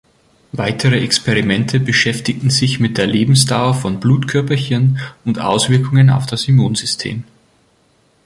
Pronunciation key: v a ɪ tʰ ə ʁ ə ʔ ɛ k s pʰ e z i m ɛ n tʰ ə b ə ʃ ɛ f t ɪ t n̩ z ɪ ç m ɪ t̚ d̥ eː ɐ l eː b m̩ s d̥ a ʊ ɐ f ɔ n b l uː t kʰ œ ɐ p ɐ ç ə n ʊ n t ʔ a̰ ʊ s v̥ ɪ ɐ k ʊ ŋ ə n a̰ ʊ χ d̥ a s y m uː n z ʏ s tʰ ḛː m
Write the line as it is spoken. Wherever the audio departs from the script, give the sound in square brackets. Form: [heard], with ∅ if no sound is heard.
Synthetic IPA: v a ɪ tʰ ə ʁ ə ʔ ɛ k s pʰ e [ʁ] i m ɛ n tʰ ə b ə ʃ ɛ f t ɪ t n̩ z ɪ ç m ɪ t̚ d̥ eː ɐ l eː b m̩ s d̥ a ʊ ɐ f ɔ n b l uː t kʰ œ ɐ p ɐ ç ə n ʊ n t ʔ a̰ ʊ s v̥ ɪ ɐ k ʊ ŋ ə n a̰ ʊ [f] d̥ a s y m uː n z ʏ s tʰ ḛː m